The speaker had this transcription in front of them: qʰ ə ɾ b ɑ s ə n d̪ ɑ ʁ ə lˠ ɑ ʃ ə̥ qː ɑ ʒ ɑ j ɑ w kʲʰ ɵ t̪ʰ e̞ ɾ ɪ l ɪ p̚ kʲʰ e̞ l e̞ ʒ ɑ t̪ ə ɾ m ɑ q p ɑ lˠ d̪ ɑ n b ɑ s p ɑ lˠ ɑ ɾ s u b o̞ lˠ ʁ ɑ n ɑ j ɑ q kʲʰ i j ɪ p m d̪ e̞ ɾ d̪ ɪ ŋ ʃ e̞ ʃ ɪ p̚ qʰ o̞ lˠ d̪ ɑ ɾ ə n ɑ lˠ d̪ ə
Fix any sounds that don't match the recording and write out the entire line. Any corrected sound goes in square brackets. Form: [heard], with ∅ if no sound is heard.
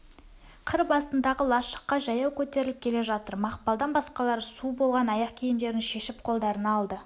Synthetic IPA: qʰ ə ɾ b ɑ s ə n d̪ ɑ ʁ ə lˠ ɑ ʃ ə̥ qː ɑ ʒ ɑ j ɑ w kʲʰ ɵ [t̪] e̞ ɾ ɪ l ɪ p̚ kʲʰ e̞ l e̞ ʒ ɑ t̪ ə ɾ m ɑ q p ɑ lˠ d̪ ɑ n b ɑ s [q] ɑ lˠ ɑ ɾ s u b o̞ lˠ ʁ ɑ n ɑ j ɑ q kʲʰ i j ɪ [∅] m d̪ e̞ ɾ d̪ ɪ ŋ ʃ e̞ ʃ ɪ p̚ qʰ o̞ lˠ d̪ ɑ ɾ ə n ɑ lˠ d̪ ə